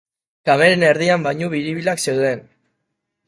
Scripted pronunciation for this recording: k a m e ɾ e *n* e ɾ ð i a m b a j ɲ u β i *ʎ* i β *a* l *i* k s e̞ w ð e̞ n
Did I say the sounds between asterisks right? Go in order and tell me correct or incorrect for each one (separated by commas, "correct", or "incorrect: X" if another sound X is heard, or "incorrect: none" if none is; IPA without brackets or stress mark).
correct, incorrect: ɾ, incorrect: i, incorrect: a